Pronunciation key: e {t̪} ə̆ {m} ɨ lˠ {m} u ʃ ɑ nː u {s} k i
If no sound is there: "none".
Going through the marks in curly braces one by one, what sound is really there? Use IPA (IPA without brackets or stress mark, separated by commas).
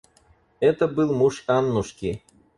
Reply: t̪, b, m, ʃ